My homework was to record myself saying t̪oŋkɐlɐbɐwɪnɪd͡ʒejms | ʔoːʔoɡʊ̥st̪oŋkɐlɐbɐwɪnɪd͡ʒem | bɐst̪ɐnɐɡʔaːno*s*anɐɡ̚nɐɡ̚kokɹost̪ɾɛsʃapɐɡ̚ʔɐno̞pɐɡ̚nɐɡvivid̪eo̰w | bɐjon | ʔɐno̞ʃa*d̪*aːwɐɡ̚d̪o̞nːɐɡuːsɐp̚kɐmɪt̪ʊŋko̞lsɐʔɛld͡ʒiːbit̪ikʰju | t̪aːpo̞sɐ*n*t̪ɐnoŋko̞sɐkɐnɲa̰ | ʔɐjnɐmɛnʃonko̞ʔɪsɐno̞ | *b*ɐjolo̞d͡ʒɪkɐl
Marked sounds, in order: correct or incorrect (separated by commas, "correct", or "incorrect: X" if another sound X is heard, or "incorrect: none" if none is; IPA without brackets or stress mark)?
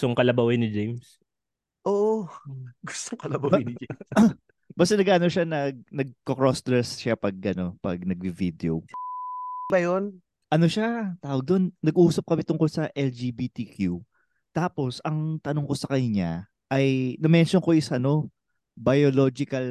incorrect: ʃ, incorrect: t̪, incorrect: ŋ, correct